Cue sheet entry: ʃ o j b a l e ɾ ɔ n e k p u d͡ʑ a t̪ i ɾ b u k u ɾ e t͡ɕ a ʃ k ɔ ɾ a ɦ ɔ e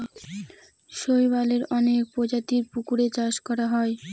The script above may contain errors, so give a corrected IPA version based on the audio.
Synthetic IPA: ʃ o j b a l e ɾ ɔ n e k p o d͡ʑ a t̪ i ɾ p u k u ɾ e t͡ɕ a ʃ k ɔ ɾ a ɦ ɔ e